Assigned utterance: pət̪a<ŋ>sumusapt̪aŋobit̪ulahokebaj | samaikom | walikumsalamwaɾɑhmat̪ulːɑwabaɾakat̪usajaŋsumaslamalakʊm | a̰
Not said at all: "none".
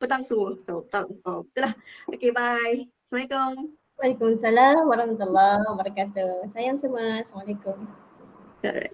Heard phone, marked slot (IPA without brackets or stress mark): ŋ